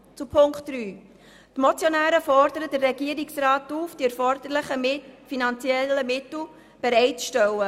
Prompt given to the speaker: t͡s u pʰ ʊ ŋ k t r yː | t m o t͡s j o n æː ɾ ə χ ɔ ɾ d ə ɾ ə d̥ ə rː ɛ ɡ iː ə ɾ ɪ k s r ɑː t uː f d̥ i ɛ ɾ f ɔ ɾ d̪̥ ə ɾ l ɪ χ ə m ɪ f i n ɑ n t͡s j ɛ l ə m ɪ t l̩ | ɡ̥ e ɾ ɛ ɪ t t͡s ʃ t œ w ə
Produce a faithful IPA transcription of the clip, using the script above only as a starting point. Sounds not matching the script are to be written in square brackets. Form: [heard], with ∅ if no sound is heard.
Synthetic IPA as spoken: t͡s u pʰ ʊ ŋ k t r yː | t m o t͡s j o n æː ɾ ə [f] ɔ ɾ d ə ɾ ə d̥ ə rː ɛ ɡ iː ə ɾ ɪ k s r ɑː t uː f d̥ i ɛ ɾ f ɔ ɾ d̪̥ ə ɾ l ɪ χ ə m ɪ f i n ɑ n t͡s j ɛ l ə m ɪ t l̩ | [b̥] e ɾ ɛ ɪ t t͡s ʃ t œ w ə